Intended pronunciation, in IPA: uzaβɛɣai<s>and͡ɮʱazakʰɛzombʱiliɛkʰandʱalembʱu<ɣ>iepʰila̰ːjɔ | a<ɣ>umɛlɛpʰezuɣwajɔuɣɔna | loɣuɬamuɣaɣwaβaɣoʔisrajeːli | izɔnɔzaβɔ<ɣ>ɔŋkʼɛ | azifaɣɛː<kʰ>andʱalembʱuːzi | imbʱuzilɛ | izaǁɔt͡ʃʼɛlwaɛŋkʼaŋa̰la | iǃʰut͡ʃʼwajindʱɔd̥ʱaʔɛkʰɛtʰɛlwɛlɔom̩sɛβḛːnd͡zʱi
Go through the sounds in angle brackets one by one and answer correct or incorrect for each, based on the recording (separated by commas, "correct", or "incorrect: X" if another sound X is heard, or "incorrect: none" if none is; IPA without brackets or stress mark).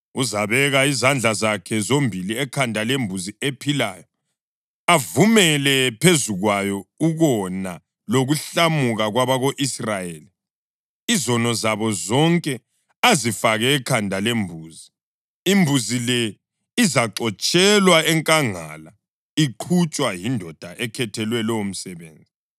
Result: incorrect: z, incorrect: z, incorrect: v, incorrect: z, correct